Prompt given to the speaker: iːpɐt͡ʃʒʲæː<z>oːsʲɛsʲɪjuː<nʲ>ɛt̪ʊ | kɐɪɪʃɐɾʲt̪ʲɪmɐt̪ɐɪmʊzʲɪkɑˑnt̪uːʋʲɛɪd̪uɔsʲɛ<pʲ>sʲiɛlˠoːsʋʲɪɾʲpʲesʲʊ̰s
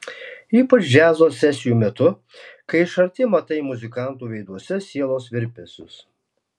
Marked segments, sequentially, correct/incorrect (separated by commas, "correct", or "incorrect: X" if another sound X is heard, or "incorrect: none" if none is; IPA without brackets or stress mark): correct, incorrect: mʲ, incorrect: none